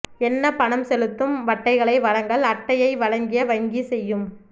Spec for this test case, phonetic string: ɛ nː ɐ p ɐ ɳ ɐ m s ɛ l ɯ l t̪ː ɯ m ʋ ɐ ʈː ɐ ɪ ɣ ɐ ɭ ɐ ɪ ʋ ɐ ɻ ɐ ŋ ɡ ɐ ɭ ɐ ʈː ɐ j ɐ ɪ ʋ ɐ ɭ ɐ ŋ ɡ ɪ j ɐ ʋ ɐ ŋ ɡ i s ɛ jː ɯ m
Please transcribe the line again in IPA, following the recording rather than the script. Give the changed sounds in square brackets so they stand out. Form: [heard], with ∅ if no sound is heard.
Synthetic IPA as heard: ɛ nː ɐ p ɐ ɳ ɐ m s ɛ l ɯ [∅] t̪ː ɯ m ʋ ɐ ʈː ɐ ɪ ɣ ɐ ɭ ɐ ɪ ʋ ɐ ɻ ɐ ŋ ɡ ɐ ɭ ɐ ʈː ɐ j ɐ ɪ ʋ ɐ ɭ ɐ ŋ ɡ ɪ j ɐ ʋ ɐ ŋ ɡ i s ɛ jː ɯ m